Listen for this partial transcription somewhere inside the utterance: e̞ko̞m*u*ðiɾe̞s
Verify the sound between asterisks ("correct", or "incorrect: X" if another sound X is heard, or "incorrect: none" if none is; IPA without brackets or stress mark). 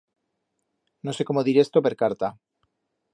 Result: incorrect: o